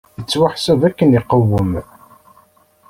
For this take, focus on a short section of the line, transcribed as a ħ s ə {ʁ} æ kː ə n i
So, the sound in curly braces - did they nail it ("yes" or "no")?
no